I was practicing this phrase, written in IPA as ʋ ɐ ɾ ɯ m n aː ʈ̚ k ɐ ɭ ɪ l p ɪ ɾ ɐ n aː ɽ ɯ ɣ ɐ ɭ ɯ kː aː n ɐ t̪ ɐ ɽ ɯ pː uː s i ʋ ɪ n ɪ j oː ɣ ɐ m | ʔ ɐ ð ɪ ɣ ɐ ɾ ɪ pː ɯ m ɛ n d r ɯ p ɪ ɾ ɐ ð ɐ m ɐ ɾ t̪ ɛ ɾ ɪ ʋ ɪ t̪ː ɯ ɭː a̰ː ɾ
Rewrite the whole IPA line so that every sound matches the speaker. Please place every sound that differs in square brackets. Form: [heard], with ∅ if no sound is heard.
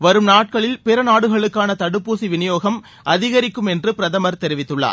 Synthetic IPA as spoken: ʋ ɐ ɾ ɯ m n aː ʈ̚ k ɐ ɭ ɪ l p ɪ ɾ ɐ n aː ɽ ɯ ɣ ɐ ɭ ɯ kː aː n ɐ t̪ ɐ ɽ ɯ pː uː s i ʋ ɪ n ɪ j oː ɣ ɐ m | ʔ ɐ ð ɪ ɣ ɐ ɾ ɪ [kː] ɯ m ɛ n d r ɯ p ɪ ɾ ɐ ð ɐ m ɐ ɾ t̪ ɛ ɾ ɪ ʋ ɪ t̪ː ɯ ɭː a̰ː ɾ